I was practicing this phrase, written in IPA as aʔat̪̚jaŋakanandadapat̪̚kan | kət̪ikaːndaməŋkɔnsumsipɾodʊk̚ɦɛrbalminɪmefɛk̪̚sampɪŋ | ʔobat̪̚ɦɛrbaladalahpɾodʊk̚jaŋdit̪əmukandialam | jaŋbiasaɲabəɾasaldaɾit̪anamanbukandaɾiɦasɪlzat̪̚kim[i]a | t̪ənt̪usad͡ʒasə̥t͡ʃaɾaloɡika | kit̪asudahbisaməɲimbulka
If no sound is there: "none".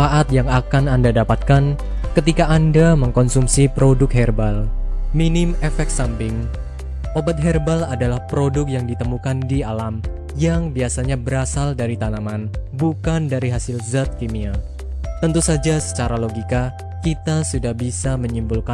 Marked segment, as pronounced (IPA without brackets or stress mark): i